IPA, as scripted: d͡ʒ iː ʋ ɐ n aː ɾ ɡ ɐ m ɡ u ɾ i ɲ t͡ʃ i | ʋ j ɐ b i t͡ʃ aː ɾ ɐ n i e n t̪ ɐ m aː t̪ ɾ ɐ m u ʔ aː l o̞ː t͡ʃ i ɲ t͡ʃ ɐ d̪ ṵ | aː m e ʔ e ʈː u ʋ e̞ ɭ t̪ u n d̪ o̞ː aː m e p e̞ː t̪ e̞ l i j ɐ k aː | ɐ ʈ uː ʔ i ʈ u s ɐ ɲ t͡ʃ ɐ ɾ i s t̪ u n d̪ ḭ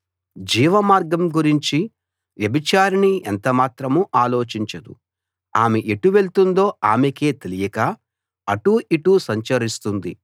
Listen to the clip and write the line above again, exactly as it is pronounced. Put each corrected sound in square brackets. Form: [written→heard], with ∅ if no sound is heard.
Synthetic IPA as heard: d͡ʒ iː ʋ ɐ [n→m] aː ɾ ɡ ɐ m ɡ u ɾ i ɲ t͡ʃ i | ʋ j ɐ b i t͡ʃ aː ɾ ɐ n i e n t̪ ɐ m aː t̪ ɾ ɐ m u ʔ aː l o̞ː t͡ʃ i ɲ t͡ʃ ɐ d̪ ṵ | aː m e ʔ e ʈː u ʋ e̞ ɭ t̪ u n d̪ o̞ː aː m e [p→k] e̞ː t̪ e̞ l i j ɐ k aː | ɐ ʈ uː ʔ i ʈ u s ɐ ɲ t͡ʃ ɐ ɾ i s t̪ u n d̪ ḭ

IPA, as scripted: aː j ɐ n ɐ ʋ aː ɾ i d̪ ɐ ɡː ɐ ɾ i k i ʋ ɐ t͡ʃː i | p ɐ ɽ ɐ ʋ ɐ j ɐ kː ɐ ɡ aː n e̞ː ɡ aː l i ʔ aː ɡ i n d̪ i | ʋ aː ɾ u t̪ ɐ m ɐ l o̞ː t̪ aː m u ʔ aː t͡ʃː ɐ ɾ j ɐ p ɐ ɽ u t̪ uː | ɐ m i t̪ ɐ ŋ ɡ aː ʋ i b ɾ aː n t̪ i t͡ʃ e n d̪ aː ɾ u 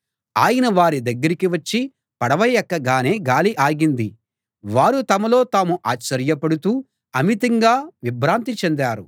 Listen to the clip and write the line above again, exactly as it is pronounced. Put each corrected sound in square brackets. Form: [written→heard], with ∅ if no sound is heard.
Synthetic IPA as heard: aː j ɐ n ɐ ʋ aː ɾ i d̪ ɐ ɡː ɐ ɾ i k i ʋ ɐ t͡ʃː i | p ɐ ɽ ɐ ʋ ɐ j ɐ kː ɐ ɡ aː n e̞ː ɡ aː l i ʔ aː ɡ i n d̪ i | ʋ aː ɾ u t̪ ɐ m ɐ l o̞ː t̪ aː m u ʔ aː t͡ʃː ɐ ɾ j ɐ p ɐ ɽ u t̪ uː | ɐ m i t̪ ɐ ŋ ɡ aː ʋ i b ɾ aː n t̪ i t͡ʃ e n d̪ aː ɾ u

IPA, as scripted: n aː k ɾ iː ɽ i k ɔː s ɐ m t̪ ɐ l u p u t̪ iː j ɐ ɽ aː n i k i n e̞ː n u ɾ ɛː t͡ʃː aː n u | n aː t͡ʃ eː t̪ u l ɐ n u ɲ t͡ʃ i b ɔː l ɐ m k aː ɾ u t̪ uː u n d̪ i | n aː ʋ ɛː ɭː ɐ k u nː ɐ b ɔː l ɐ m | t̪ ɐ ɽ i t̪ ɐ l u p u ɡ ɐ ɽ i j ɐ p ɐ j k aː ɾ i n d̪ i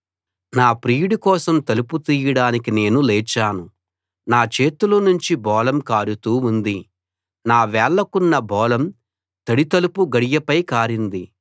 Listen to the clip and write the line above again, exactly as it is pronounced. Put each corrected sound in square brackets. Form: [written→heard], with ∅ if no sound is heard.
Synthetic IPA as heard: n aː [k→p] ɾ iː ɽ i k ɔː s ɐ m t̪ ɐ l u p u t̪ iː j ɐ ɽ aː n i k i n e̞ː n u [ɾ→l] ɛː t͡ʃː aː n u | n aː t͡ʃ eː t̪ u l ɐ n u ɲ t͡ʃ i b ɔː l ɐ m k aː ɾ u t̪ uː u n d̪ i | n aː ʋ ɛː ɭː ɐ k u nː ɐ b ɔː l ɐ m | t̪ ɐ ɽ i t̪ ɐ l u p u ɡ ɐ ɽ i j ɐ p ɐ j k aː ɾ i n d̪ i

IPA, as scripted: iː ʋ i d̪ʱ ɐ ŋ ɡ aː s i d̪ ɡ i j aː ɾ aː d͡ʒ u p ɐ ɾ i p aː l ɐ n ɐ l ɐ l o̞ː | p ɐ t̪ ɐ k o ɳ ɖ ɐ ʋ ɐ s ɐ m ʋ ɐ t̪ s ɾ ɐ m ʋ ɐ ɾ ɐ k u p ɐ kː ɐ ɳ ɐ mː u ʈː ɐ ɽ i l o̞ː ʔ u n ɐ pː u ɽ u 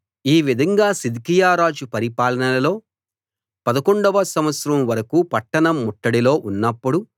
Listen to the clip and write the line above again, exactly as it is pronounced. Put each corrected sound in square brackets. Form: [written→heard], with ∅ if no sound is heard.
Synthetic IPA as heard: iː ʋ i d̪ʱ ɐ ŋ ɡ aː s i d̪ [ɡ→k] i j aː ɾ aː d͡ʒ u p ɐ ɾ i p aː l ɐ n ɐ l ɐ l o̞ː | p ɐ [t̪→d̪] ɐ k o ɳ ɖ ɐ ʋ ɐ s ɐ m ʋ ɐ t̪ s ɾ ɐ m ʋ ɐ ɾ ɐ k u p ɐ [kː→ʈː] ɐ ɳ ɐ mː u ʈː ɐ ɽ i l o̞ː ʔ u [n→nː] ɐ pː u ɽ u

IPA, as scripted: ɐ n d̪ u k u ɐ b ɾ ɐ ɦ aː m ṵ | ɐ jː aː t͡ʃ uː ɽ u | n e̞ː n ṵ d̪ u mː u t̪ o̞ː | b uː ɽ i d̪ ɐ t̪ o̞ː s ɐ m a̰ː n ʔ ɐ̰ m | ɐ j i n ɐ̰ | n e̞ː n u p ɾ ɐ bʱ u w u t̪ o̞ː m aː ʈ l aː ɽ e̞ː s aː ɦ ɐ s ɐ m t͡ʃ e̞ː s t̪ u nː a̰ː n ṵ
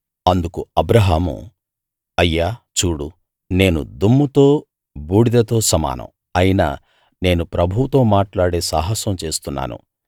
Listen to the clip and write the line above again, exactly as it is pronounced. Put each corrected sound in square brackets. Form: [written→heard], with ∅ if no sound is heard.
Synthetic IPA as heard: ɐ n d̪ u k u ɐ b ɾ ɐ ɦ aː m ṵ | ɐ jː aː t͡ʃ uː ɽ u | n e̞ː n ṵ d̪ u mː u t̪ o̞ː | b uː ɽ i d̪ ɐ t̪ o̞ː s ɐ m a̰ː n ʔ ɐ̰ m | ɐ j i n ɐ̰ | n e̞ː n u p ɾ ɐ bʱ u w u t̪ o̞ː m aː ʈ l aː ɽ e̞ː s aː ɦ ɐ s ɐ m t͡ʃ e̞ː s t̪ u nː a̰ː n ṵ

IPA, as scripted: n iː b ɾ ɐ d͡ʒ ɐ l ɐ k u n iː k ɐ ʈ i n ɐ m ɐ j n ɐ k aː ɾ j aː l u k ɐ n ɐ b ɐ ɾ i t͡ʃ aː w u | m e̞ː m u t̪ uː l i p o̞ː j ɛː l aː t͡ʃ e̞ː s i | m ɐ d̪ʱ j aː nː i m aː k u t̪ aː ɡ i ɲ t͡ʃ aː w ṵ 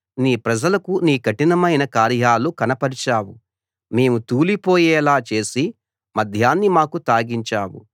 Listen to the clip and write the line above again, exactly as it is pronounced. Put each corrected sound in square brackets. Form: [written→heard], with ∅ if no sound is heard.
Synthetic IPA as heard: n iː [b→p] ɾ ɐ d͡ʒ ɐ l ɐ k u n iː k ɐ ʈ i n ɐ m ɐ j n ɐ k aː ɾ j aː l u k ɐ n ɐ [b→p] ɐ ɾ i t͡ʃ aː w u | m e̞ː m u t̪ uː l i p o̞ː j ɛː l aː t͡ʃ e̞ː s i | m ɐ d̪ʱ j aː nː i m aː k u t̪ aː ɡ i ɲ t͡ʃ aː w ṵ

